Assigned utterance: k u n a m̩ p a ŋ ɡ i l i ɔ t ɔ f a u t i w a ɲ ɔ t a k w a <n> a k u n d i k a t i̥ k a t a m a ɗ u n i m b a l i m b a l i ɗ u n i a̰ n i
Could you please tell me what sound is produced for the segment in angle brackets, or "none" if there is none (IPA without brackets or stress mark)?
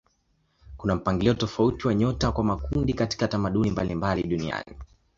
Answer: m